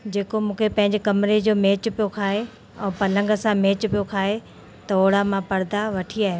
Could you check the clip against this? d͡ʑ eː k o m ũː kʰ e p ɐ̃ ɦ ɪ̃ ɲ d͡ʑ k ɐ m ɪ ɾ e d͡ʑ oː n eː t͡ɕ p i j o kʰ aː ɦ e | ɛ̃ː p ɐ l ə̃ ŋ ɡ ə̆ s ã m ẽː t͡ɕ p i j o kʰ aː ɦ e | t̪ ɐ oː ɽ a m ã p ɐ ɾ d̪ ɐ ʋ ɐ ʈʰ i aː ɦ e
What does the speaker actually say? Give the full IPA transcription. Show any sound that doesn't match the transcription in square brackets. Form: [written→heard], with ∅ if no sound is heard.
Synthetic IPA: d͡ʑ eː k o m ũː kʰ e p ɐ̃ ɦ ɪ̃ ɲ d͡ʑ k ɐ m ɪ ɾ e d͡ʑ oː [n→m] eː t͡ɕ p i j o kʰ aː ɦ e | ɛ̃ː p ɐ l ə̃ ŋ ɡ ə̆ s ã m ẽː t͡ɕ p i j o kʰ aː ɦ e | t̪ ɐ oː ɽ a m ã p ɐ ɾ d̪ [ɐ→a] ʋ ɐ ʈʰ i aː ɦ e